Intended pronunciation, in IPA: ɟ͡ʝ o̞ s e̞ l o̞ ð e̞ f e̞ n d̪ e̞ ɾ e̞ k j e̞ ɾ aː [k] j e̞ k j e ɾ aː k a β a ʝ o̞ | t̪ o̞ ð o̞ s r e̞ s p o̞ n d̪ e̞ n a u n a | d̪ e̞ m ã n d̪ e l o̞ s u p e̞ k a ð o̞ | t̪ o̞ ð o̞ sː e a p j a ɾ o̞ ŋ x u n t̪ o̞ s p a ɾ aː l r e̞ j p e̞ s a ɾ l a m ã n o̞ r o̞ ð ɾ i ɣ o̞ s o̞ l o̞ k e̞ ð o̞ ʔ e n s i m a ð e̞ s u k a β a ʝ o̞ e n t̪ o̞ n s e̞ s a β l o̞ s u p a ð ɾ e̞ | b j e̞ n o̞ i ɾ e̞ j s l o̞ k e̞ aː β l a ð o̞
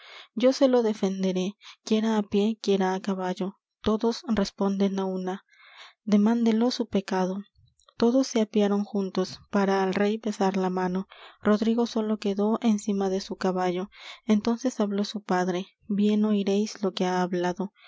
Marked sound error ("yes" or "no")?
yes